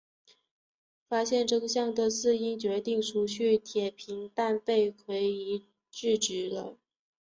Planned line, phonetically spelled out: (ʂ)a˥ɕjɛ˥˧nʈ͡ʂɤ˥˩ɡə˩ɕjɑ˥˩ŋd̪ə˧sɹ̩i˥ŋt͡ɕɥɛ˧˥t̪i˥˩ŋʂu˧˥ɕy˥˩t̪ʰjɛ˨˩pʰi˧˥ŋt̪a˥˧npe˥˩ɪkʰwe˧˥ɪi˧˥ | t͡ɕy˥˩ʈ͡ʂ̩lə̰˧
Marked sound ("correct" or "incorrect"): incorrect